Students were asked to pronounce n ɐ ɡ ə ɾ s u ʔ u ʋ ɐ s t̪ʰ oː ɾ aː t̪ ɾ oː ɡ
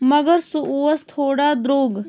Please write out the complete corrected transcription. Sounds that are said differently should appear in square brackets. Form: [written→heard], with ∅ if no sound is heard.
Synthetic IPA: [n→m] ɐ ɡ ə ɾ s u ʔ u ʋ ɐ s t̪ʰ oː [ɾ→ɽ] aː [t̪→d̪] ɾ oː ɡ